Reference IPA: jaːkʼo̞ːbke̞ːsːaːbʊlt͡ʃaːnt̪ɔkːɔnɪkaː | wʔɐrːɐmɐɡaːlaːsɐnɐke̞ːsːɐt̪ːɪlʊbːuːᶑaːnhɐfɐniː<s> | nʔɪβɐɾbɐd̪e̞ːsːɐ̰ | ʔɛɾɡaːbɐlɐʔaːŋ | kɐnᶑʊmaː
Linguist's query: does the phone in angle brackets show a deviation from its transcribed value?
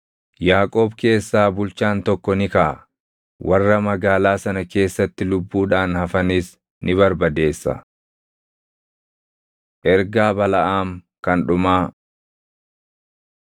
no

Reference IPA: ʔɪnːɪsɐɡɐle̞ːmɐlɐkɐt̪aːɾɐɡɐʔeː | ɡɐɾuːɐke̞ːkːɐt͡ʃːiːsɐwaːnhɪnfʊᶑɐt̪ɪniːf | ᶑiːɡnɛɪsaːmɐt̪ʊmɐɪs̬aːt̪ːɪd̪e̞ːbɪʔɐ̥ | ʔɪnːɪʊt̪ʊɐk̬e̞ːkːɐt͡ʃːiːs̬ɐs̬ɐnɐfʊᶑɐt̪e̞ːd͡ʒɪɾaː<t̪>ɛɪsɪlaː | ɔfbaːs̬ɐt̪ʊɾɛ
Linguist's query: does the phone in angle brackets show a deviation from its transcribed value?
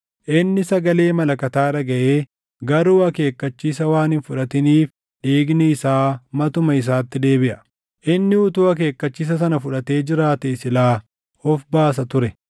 no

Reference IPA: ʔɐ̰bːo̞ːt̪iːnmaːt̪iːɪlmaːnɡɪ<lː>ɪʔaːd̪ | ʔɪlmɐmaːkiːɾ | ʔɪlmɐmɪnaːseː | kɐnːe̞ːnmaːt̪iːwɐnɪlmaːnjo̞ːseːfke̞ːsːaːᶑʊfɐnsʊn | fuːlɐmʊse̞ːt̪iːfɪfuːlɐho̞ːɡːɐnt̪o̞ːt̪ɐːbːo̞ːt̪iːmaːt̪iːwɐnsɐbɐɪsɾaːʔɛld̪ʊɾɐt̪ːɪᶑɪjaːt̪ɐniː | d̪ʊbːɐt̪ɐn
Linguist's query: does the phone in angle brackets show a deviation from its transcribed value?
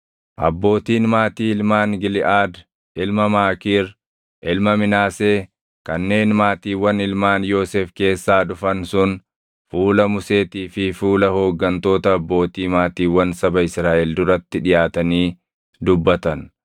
yes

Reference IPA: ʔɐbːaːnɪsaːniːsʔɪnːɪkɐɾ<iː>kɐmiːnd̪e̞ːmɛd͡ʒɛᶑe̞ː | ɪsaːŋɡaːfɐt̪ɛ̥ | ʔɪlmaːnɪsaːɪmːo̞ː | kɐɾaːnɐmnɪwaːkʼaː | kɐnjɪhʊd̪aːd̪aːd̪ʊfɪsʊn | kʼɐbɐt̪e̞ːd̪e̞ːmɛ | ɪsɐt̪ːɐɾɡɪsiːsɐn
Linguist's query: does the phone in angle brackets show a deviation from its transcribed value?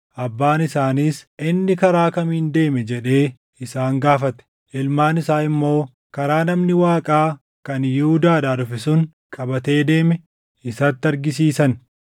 yes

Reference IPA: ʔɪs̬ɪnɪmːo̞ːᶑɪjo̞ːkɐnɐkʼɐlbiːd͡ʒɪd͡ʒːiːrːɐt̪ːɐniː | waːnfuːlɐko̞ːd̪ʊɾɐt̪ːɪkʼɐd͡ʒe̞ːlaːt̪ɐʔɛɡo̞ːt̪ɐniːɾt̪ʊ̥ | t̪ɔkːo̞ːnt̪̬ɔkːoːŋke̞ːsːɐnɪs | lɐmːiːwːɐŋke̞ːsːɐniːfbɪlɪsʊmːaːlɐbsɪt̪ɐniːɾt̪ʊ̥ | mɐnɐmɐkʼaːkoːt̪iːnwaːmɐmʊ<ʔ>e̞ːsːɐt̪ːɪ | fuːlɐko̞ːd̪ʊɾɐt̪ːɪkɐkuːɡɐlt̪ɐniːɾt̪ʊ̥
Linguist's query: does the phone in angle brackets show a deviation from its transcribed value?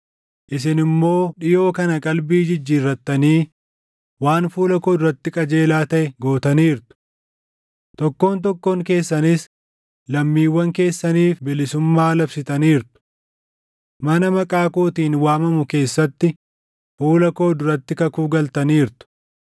yes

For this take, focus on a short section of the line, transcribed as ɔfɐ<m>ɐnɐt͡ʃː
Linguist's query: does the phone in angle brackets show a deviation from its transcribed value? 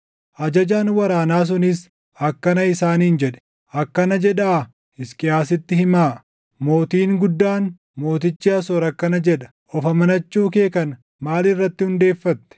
no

